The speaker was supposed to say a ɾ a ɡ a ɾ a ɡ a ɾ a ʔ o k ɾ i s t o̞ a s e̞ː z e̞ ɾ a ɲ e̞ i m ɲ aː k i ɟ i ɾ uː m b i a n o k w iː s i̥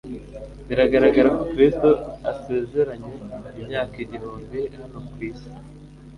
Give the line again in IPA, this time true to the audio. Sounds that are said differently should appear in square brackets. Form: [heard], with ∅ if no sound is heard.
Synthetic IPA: [i] ɾ a ɡ a ɾ a ɡ a ɾ a [k] o k ɾ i s t o̞ a s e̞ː z e̞ ɾ a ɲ e̞ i m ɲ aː k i ɟ i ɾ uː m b i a n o k w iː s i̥